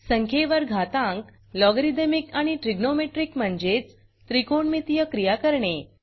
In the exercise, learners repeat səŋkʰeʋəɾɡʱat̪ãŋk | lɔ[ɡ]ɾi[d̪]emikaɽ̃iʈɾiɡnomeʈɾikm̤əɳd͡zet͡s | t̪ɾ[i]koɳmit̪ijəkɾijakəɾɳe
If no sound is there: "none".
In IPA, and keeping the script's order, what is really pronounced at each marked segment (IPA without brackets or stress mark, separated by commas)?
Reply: ɡ, d̪, i